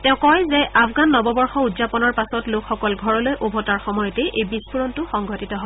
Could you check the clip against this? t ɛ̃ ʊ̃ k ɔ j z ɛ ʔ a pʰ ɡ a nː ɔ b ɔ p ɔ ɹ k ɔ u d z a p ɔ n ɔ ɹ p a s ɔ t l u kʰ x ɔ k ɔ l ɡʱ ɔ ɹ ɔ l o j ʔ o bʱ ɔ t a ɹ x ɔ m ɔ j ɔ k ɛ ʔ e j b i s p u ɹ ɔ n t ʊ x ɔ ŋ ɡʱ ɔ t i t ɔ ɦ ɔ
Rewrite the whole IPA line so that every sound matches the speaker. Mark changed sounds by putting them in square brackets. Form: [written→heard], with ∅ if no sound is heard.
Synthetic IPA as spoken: t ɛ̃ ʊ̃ k ɔ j z ɛ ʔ a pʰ ɡ a nː ɔ b ɔ [p→b] ɔ ɹ [k→x] ɔ u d z a p ɔ n ɔ ɹ p a s ɔ t l [u→o] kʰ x ɔ k ɔ l ɡʱ ɔ ɹ ɔ l o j ʔ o bʱ ɔ t a ɹ x ɔ m ɔ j ɔ [k→t] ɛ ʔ e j b i s p u ɹ ɔ n t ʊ x ɔ ŋ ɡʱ ɔ t i t ɔ ɦ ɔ